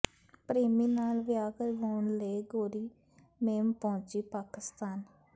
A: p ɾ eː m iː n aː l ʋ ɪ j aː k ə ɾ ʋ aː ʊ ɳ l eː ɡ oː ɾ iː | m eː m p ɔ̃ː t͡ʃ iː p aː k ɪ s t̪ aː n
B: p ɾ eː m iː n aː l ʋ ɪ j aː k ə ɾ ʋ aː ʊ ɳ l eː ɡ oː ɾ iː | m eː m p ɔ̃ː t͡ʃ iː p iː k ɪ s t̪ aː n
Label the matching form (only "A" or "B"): A